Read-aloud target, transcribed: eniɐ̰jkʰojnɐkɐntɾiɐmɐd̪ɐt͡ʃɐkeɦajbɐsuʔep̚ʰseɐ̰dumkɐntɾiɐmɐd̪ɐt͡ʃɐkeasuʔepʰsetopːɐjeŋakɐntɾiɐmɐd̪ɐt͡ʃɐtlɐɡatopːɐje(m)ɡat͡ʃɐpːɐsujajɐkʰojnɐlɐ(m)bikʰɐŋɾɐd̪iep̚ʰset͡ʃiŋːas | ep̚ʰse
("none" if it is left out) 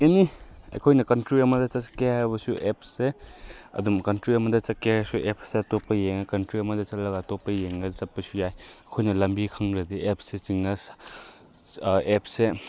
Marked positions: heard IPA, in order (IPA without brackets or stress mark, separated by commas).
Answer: ŋ, m